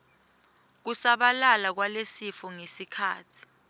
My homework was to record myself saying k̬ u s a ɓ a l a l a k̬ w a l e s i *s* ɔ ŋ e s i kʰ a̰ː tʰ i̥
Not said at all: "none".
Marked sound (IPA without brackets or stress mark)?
f